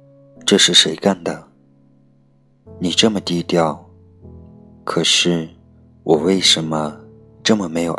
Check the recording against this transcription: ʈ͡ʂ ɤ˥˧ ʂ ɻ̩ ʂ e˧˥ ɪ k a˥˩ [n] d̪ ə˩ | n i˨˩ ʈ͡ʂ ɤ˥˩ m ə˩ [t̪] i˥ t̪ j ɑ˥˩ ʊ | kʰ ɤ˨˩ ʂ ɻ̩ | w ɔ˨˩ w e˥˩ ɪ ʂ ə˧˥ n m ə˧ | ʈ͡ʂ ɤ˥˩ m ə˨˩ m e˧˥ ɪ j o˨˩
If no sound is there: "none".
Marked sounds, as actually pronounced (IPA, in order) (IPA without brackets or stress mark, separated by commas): n, t̪